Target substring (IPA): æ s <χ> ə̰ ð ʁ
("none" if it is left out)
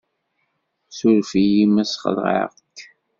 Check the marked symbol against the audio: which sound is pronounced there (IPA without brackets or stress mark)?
χ